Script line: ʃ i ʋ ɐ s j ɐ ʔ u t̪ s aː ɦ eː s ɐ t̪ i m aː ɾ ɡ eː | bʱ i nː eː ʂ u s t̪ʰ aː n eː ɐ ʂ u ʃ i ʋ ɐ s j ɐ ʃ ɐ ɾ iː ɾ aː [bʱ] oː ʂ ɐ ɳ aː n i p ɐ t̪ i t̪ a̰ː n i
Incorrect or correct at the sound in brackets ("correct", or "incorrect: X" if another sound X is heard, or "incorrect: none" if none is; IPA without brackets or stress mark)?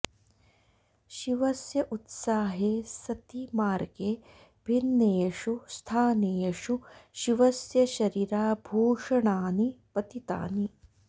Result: correct